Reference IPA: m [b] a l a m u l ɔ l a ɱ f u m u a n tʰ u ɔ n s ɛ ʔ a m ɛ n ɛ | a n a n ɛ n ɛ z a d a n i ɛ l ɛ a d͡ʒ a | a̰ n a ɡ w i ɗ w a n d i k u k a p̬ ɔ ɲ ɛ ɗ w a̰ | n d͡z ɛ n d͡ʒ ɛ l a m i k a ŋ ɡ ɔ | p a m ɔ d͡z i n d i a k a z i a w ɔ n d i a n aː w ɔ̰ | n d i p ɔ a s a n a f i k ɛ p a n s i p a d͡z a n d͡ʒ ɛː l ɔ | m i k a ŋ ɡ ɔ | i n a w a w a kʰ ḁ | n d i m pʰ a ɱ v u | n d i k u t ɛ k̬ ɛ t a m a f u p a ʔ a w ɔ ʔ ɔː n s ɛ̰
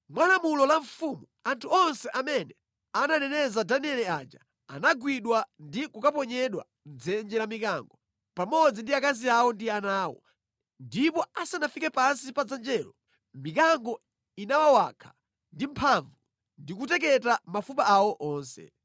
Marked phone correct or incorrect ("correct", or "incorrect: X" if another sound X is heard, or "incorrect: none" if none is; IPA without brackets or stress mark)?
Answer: incorrect: w